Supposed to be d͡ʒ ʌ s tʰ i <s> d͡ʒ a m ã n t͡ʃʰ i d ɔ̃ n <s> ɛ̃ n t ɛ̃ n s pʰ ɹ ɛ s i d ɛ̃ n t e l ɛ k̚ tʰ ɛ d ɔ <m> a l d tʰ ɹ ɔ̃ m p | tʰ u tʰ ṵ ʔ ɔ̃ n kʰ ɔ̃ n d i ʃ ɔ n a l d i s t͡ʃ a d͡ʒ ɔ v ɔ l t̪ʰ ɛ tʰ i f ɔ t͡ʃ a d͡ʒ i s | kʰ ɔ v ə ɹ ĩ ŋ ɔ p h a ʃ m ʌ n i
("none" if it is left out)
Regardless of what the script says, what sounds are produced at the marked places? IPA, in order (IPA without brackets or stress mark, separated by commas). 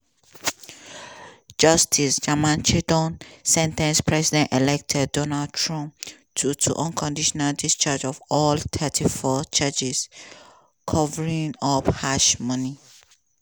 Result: s, s, n